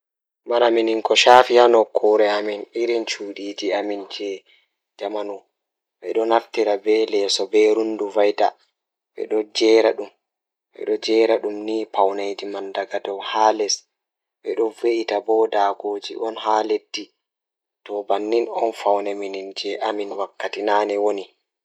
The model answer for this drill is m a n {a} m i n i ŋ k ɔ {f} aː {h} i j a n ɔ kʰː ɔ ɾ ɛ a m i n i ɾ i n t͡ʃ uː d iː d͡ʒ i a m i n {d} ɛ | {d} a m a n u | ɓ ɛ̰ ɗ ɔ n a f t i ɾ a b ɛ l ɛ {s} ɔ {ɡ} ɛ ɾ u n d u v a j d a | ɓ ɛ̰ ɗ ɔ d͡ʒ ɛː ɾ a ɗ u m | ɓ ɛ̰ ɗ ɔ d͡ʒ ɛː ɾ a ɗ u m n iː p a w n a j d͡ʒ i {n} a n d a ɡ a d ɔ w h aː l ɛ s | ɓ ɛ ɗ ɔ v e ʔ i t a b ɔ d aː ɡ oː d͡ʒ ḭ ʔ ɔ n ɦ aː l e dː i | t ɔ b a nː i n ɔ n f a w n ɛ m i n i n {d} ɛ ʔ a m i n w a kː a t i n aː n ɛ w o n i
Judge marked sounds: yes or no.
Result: yes, no, no, no, no, yes, no, no, no

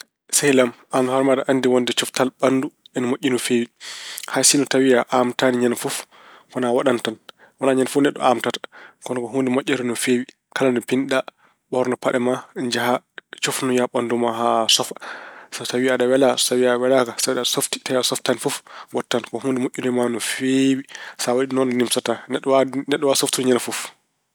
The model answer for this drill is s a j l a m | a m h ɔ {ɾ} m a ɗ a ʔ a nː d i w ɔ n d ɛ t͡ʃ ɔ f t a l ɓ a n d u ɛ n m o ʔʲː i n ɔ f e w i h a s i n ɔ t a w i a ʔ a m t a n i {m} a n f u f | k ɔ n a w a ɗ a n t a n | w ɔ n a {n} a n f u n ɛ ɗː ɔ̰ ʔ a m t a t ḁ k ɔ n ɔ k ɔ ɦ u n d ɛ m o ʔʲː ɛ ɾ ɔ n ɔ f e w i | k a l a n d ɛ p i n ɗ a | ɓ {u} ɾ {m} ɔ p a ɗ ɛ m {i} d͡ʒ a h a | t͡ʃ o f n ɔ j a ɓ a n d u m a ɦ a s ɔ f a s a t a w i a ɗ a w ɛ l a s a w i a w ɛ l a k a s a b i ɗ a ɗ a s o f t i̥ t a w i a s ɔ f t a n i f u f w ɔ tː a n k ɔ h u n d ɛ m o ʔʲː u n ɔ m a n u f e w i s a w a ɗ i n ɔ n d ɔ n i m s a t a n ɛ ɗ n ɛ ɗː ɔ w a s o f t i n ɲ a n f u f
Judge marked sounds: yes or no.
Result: yes, no, no, no, no, no

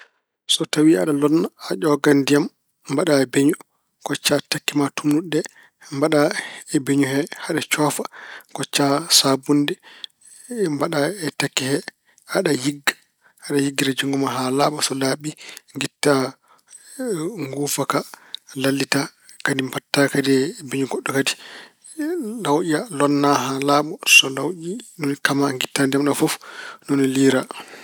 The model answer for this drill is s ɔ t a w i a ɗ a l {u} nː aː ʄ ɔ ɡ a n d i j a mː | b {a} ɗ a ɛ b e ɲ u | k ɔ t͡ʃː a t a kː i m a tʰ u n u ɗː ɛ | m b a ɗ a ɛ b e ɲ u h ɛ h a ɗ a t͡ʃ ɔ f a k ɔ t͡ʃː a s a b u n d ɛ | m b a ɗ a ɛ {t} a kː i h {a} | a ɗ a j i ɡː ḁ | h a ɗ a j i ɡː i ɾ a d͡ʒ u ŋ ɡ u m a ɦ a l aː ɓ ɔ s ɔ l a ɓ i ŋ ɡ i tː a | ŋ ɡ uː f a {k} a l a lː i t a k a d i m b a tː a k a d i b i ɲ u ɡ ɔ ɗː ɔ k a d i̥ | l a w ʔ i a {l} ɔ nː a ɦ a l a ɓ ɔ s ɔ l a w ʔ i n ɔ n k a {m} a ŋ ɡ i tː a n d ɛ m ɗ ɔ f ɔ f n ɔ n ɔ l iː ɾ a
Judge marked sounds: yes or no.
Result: no, yes, yes, no, yes, yes, yes

